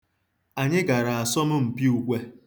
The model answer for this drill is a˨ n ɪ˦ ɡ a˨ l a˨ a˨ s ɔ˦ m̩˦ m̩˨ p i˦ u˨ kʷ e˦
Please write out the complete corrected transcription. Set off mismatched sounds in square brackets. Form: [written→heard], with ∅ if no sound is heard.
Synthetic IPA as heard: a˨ [n→ɲ] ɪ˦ ɡ a˨ [l→ɾ] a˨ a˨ s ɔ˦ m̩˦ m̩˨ p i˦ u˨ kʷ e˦